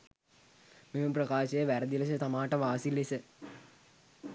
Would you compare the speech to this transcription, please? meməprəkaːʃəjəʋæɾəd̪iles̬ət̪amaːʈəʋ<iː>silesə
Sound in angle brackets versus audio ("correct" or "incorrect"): incorrect